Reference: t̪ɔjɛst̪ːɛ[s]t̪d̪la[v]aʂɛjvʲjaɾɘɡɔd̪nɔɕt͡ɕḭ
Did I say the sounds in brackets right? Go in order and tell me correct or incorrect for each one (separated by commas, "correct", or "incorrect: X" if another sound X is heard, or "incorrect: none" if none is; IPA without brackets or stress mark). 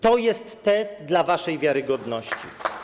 correct, correct